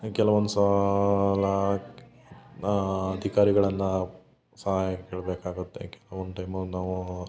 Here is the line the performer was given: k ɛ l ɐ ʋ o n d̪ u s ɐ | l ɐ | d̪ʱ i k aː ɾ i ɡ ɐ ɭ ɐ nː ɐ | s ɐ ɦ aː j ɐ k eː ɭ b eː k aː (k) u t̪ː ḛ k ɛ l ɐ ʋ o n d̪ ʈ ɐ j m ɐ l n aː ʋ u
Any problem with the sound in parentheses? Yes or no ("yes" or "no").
yes